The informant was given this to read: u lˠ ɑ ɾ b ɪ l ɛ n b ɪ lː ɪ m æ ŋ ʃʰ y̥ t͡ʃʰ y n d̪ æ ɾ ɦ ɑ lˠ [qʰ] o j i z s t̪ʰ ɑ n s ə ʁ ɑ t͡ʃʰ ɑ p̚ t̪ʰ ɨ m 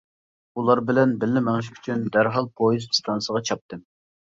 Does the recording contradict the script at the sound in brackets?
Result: yes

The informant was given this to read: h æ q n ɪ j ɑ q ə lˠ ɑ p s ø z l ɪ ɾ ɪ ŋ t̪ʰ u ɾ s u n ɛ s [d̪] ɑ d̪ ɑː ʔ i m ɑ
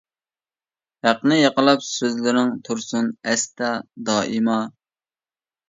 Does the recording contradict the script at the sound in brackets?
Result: yes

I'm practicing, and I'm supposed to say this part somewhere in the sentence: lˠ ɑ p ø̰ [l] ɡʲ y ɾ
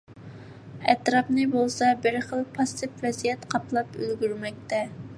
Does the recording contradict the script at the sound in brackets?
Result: no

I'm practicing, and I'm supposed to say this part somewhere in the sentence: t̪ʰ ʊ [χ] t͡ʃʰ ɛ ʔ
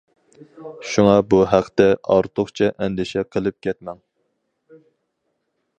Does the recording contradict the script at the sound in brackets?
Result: no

